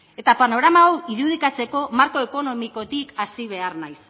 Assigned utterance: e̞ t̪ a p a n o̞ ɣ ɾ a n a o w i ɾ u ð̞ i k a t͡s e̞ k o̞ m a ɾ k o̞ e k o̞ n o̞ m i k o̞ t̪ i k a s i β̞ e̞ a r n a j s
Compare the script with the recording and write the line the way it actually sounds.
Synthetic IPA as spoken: e̞ t̪ a p a n o̞ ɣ ɾ a m a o w i ɾ u ð̞ i k a t͡s e̞ k o̞ m a ɾ k o̞ e k o̞ n o̞ m i k o̞ t̪ i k a s i β̞ e̞ a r n a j s